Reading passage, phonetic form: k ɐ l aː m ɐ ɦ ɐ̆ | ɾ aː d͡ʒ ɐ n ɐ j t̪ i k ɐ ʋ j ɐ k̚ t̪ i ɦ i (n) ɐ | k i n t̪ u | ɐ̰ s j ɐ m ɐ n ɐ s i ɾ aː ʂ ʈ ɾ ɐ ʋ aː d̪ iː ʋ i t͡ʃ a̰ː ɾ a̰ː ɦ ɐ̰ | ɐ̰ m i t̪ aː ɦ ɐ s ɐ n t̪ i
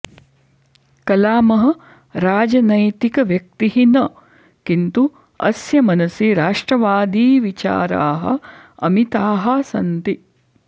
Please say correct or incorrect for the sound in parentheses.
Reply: correct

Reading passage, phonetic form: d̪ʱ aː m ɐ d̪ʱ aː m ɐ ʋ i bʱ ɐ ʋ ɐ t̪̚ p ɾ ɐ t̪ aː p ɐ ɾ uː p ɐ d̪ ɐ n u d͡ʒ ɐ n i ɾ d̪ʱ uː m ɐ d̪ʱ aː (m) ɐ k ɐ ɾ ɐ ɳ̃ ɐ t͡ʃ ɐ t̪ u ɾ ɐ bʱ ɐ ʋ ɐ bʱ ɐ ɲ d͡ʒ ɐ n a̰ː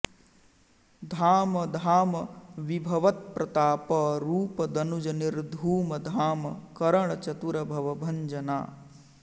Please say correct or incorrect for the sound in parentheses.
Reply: correct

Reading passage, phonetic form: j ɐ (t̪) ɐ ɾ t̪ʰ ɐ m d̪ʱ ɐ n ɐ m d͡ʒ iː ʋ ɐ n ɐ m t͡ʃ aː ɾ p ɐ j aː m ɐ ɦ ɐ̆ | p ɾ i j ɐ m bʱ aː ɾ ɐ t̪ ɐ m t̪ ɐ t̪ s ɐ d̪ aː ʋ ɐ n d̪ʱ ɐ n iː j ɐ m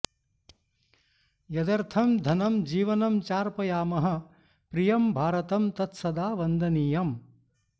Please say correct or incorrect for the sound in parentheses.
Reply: incorrect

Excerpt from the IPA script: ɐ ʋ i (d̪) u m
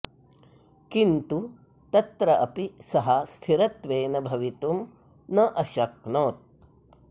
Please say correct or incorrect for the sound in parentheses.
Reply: incorrect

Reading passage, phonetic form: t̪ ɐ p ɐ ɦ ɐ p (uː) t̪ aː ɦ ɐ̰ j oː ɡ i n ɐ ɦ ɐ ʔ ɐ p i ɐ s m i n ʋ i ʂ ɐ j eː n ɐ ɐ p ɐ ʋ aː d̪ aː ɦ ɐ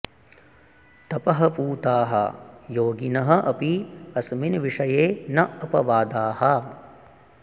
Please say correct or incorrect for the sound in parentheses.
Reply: correct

